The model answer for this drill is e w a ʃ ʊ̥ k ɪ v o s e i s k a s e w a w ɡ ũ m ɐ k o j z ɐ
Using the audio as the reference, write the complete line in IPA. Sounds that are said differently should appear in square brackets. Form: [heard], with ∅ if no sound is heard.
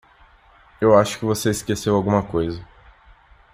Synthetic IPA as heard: e w a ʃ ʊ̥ k ɪ v o s e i s k [e] s e w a w ɡ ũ m ɐ k o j z ɐ